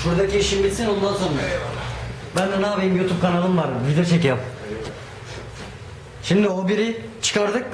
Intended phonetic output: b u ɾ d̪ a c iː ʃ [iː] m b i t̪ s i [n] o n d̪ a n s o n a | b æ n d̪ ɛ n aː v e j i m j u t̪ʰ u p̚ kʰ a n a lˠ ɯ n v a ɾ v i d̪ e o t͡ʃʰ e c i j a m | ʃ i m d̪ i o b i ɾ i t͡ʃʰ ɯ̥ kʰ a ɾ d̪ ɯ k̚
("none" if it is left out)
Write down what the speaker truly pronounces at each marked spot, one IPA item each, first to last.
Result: i, n

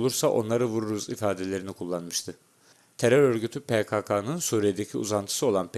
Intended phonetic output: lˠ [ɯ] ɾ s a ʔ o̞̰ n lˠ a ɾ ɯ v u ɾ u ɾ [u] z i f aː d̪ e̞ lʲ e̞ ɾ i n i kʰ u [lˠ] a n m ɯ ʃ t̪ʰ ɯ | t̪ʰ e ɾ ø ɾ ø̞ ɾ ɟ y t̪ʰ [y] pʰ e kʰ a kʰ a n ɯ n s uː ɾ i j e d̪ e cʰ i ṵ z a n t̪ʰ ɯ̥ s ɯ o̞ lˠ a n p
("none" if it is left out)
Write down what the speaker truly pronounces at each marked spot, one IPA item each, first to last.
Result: u, u, lˠː, y

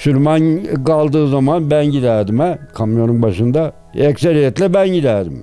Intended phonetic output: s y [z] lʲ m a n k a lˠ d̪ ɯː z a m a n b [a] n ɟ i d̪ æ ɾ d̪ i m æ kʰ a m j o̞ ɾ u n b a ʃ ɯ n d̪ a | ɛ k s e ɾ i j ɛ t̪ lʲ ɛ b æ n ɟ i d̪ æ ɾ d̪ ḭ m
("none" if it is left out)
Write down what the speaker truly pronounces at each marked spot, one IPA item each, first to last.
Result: none, æ

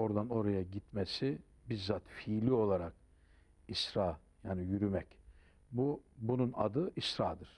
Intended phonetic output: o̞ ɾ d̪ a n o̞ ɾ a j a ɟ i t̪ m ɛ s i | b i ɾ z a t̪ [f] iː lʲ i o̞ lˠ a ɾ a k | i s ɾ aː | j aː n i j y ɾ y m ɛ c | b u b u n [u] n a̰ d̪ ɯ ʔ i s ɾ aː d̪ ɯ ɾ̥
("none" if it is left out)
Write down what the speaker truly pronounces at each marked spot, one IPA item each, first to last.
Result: f, u

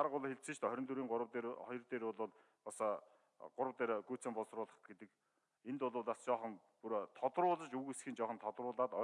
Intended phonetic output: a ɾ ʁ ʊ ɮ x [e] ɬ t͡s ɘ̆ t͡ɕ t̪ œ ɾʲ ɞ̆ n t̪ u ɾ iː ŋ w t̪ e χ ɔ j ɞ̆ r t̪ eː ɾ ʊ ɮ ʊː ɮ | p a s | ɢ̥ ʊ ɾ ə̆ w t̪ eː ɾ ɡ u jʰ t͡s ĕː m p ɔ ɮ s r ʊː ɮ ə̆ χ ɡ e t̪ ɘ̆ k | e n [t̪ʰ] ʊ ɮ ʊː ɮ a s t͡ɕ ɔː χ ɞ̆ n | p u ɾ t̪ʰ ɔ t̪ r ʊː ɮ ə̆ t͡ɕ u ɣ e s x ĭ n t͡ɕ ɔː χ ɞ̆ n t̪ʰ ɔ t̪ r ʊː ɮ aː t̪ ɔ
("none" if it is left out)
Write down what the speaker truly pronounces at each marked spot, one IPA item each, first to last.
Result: e, t̪

